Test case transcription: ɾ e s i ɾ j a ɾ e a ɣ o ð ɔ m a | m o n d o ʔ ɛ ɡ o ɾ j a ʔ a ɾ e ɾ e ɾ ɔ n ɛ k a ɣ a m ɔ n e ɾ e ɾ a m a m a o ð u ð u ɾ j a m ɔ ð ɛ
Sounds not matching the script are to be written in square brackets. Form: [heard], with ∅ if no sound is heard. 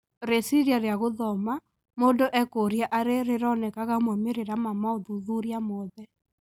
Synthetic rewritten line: ɾ e s i ɾ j a ɾ e a ɣ o ð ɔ m a | m o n d o ʔ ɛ [k] o ɾ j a ʔ a ɾ e ɾ e ɾ ɔ n ɛ k a ɣ a m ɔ [m] e ɾ e ɾ a m a m a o ð u ð u ɾ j a m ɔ ð ɛ